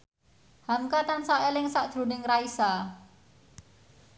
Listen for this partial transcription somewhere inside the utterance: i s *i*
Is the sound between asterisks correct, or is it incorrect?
incorrect